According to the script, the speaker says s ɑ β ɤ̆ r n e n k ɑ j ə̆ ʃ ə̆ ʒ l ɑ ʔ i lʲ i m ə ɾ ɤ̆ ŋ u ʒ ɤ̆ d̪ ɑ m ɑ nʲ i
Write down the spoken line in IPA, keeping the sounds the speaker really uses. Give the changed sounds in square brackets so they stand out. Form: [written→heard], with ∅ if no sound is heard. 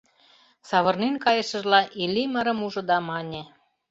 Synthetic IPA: s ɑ β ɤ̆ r n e n k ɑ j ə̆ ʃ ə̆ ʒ l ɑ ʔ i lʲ i m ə ɾ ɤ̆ [ŋ→m] u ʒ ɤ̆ d̪ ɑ m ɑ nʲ [i→e]